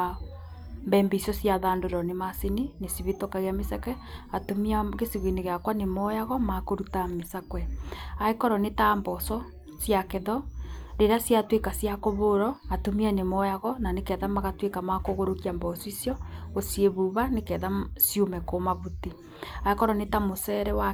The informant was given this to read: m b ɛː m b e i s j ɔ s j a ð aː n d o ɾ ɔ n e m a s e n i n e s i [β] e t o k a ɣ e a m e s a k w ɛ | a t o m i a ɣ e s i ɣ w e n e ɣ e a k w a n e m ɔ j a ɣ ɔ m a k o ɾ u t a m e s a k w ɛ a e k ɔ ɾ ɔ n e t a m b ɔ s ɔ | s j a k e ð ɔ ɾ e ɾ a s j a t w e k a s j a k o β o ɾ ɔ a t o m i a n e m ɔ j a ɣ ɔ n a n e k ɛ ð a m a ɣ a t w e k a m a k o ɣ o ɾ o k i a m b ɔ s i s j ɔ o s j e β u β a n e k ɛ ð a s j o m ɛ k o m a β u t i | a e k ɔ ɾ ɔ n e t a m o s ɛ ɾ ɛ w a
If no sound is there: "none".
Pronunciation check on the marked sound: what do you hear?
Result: β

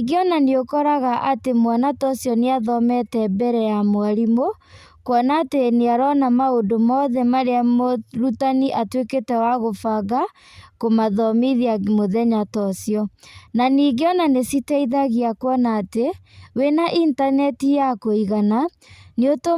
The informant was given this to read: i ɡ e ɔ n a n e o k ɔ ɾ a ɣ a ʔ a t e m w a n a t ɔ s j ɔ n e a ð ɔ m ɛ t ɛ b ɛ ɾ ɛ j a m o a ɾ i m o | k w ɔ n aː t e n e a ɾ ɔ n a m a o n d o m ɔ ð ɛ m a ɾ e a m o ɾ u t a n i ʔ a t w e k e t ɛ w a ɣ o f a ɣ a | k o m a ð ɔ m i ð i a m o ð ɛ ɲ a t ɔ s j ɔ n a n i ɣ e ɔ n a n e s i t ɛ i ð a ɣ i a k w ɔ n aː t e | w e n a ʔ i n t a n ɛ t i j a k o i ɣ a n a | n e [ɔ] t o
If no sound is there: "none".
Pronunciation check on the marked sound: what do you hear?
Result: o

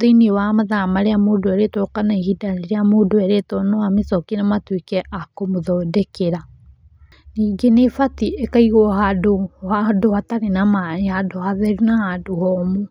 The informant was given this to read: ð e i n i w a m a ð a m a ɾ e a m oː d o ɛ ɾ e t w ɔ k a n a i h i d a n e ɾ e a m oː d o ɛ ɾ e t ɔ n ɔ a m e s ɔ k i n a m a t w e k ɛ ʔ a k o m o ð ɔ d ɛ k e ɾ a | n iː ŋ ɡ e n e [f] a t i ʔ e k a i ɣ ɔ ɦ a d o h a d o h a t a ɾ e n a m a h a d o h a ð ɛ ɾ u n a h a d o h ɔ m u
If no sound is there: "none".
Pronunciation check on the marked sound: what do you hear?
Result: f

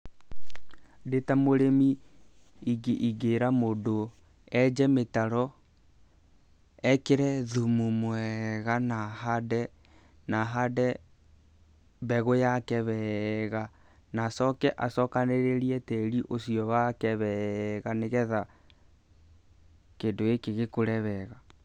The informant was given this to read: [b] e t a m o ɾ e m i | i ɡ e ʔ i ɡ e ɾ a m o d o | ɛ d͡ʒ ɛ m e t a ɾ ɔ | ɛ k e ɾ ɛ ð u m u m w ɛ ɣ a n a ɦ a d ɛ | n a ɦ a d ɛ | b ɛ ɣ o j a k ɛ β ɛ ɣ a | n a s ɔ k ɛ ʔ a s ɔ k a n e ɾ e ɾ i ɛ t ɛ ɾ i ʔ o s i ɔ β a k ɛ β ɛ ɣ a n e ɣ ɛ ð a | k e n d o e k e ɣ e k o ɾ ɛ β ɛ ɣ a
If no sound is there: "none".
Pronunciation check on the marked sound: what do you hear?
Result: d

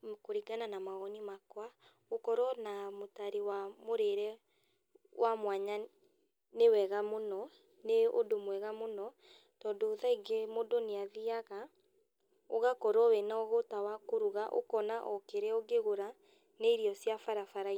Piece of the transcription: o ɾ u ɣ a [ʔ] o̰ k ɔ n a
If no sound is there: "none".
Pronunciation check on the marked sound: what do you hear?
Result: ʔ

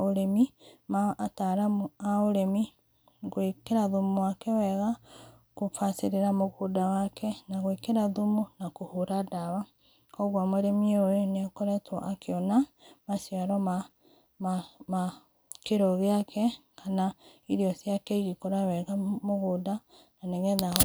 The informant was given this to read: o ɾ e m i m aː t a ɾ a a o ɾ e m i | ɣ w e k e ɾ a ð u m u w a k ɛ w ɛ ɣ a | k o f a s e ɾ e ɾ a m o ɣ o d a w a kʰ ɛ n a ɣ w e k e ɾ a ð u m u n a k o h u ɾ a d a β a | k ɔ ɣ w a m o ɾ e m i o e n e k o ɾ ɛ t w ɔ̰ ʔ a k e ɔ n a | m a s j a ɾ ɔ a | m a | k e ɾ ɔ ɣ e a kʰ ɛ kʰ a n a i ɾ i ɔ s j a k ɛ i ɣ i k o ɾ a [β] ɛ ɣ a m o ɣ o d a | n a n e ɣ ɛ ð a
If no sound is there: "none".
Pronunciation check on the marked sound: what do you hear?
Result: w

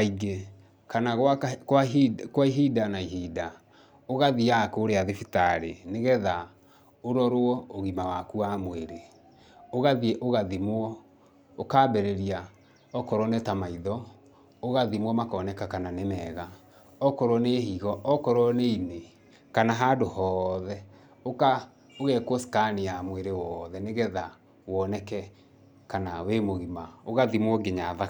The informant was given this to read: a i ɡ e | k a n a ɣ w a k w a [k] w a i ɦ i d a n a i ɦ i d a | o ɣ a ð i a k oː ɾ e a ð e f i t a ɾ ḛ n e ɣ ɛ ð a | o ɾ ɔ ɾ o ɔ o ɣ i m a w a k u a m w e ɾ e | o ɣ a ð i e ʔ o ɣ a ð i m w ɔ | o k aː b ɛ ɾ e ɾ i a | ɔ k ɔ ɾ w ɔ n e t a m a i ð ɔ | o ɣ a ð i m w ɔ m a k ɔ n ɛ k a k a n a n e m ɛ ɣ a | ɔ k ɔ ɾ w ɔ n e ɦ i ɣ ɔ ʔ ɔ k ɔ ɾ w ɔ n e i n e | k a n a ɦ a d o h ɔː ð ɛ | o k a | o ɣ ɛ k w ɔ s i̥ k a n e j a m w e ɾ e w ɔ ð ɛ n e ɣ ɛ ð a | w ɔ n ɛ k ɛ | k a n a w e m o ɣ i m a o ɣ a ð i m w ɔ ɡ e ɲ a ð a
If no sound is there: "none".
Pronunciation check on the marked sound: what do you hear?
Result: k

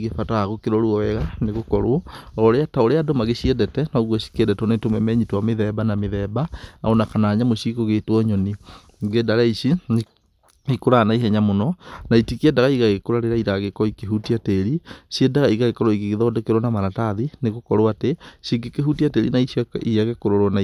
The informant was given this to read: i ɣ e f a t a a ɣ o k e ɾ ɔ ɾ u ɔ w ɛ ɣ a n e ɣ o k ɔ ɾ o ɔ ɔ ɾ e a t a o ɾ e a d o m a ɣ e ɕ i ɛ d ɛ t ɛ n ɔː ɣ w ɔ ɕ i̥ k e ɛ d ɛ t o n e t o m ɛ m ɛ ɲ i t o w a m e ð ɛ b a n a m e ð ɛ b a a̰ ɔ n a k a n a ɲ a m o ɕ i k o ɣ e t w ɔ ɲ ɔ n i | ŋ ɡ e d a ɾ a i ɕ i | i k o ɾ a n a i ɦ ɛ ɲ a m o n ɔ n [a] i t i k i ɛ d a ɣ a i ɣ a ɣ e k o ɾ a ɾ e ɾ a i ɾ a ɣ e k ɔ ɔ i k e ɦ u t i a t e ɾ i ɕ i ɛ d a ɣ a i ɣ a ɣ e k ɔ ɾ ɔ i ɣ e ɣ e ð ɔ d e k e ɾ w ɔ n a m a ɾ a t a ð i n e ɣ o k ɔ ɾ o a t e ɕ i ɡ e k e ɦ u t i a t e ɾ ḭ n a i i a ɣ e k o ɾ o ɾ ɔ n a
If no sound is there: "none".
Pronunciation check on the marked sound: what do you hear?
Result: a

